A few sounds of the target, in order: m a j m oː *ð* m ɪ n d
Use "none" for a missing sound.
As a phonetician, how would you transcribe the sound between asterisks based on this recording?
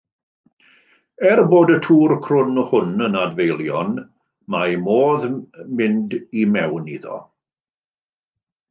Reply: ð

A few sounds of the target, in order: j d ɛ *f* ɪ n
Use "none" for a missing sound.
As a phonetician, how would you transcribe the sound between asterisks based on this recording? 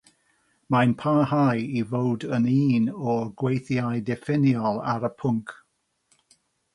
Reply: f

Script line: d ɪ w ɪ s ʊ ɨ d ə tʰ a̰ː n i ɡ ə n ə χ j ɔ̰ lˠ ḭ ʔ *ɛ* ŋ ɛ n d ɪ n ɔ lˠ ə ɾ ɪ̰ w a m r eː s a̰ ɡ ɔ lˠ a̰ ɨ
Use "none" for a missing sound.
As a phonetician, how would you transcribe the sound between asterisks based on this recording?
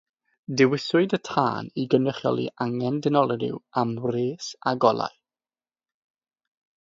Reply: a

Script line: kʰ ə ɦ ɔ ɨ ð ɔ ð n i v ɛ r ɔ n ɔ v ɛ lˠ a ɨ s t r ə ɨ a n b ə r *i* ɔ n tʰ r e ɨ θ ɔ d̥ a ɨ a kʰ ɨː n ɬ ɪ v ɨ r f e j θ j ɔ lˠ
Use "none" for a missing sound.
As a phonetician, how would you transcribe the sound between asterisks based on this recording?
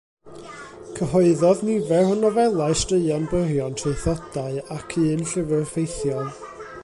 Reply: j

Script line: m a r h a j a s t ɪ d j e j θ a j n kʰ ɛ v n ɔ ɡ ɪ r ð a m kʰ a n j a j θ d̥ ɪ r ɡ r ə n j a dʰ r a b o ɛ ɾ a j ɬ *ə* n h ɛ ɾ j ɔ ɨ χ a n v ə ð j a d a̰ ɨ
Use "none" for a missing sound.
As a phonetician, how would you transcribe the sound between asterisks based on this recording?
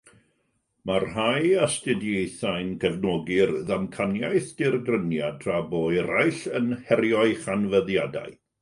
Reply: ə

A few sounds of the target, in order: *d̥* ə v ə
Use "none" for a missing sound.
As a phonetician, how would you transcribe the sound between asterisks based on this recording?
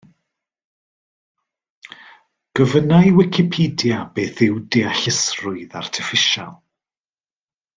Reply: ɡ̥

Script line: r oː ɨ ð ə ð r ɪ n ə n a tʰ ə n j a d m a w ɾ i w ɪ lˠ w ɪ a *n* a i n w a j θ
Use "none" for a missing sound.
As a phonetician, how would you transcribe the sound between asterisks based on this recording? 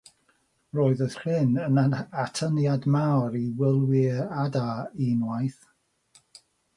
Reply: d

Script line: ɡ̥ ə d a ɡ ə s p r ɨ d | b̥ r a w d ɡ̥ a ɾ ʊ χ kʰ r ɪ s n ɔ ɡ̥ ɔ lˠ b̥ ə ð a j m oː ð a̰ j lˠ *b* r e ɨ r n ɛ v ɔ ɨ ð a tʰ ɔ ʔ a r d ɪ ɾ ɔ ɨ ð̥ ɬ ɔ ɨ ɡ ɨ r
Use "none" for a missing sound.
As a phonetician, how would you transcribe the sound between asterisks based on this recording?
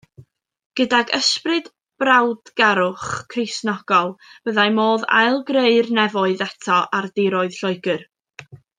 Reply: ɡ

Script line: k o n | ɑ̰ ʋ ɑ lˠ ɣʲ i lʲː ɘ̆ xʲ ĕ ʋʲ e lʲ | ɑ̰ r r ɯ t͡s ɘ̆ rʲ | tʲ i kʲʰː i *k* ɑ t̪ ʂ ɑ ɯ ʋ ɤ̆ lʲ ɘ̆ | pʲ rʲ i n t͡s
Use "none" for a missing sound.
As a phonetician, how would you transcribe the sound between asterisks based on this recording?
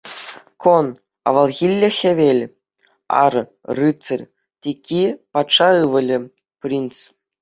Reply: p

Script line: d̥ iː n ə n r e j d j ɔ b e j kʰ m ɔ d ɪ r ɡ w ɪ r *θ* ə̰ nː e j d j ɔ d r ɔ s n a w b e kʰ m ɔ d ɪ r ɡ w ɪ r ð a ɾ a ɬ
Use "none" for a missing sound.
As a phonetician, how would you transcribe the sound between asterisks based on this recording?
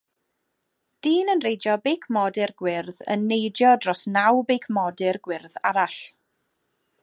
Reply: ð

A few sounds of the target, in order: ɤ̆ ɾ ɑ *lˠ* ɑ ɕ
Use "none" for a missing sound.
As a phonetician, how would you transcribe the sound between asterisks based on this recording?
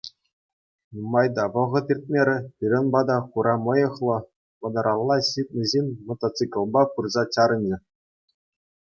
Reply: lˠː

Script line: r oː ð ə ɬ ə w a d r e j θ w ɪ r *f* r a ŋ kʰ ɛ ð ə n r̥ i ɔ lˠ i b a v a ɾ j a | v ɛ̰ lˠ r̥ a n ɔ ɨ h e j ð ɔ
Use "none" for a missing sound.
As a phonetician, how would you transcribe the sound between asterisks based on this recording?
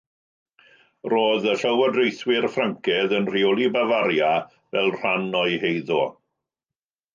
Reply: f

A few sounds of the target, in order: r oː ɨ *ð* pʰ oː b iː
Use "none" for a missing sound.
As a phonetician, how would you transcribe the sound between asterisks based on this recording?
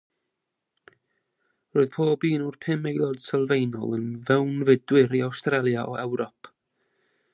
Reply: ð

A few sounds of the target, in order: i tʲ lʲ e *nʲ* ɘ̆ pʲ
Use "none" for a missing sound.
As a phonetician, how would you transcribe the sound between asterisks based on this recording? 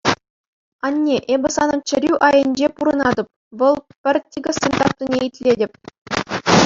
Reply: dʲ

